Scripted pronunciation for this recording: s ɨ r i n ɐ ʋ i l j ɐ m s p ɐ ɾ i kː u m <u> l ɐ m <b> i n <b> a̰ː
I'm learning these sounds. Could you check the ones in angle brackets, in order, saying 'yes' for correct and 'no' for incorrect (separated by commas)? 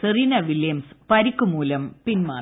no, no, no